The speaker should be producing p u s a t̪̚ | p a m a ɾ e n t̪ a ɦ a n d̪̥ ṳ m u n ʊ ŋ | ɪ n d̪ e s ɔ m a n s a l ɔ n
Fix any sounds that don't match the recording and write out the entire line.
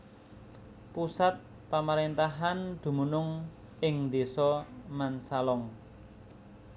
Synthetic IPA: p u s a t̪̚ | p a m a ɾ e n t̪ a ɦ a n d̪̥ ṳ m u n ʊ ŋ | ɪ ŋ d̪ e s ɔ m a n s a l ɔ ŋ